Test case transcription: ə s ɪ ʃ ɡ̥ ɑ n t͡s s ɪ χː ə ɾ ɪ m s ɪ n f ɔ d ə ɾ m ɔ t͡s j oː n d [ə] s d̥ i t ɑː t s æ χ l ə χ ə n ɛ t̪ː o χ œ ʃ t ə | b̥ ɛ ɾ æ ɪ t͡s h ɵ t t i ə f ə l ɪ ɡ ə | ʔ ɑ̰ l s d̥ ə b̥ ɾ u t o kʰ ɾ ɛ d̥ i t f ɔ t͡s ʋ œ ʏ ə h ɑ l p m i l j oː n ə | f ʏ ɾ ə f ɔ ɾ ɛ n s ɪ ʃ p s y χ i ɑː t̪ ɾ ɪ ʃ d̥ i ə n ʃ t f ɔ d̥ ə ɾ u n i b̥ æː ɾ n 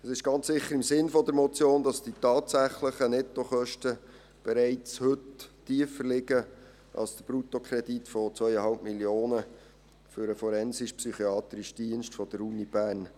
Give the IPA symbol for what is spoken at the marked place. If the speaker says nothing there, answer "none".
ɑ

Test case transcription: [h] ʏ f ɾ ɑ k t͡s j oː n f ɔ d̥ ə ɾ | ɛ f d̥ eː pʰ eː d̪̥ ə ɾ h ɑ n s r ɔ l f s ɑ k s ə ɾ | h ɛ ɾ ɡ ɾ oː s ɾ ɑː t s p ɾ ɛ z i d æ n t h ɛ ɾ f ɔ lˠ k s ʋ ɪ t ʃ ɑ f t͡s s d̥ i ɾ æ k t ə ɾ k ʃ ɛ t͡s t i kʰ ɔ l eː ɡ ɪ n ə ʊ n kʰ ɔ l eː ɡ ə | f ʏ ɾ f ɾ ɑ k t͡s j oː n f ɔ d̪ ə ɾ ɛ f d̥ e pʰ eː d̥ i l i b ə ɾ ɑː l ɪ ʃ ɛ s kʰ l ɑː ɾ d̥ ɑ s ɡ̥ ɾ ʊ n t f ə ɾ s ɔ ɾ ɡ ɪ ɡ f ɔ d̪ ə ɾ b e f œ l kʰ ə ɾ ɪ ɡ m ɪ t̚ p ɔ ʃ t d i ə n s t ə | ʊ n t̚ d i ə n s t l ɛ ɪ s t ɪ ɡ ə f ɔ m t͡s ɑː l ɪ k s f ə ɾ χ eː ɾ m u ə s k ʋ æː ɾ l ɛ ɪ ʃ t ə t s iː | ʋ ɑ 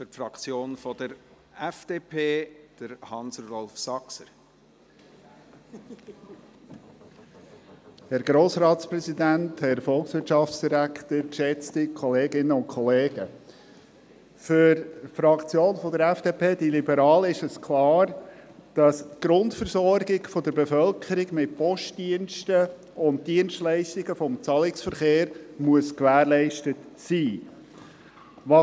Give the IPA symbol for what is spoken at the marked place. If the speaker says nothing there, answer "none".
f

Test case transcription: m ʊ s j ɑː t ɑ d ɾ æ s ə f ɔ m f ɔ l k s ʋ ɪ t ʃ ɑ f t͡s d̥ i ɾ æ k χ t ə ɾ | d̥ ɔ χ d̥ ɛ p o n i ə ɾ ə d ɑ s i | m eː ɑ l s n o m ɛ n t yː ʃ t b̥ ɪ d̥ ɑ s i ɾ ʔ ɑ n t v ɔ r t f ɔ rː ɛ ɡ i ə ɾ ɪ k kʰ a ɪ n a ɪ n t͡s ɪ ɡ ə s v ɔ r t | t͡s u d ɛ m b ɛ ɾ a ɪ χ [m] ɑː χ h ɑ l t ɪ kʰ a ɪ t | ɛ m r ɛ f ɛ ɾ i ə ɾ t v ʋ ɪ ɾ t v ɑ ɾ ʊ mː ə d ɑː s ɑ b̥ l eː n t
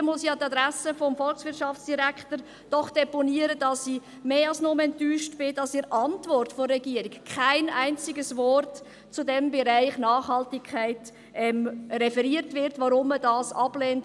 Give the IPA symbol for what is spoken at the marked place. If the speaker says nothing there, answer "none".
n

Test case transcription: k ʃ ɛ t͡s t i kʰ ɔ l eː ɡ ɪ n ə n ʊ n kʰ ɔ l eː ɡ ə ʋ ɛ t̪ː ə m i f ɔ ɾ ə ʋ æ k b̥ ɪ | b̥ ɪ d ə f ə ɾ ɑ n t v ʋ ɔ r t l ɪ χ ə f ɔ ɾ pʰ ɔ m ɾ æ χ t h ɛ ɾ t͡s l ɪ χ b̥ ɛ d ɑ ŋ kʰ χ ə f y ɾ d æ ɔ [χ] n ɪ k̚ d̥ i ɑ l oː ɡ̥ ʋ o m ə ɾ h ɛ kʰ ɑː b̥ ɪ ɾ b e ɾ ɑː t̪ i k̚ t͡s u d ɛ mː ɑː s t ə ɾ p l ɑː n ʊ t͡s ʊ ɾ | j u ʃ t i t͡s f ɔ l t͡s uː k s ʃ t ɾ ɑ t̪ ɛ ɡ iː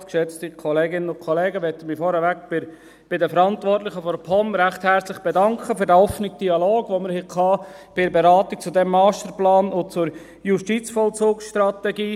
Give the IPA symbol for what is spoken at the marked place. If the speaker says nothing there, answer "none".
f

